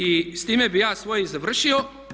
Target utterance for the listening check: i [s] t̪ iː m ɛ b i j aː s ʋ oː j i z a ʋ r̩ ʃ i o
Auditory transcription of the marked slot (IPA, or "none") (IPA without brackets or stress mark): s